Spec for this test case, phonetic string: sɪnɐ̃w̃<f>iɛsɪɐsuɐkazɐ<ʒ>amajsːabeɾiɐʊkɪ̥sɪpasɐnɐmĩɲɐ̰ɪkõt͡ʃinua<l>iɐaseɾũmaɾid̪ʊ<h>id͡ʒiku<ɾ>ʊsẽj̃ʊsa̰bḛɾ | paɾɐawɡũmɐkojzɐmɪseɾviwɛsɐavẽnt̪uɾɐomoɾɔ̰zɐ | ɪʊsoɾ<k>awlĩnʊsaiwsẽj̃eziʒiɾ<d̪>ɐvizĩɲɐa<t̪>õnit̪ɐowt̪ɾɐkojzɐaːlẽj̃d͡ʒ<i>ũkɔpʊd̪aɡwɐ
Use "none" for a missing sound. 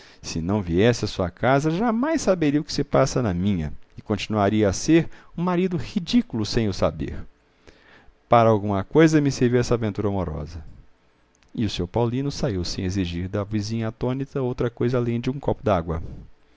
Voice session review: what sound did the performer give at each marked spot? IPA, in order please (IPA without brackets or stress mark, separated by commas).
v, ʒ, ɾ, h, l, p, d̪, t̪, ɪ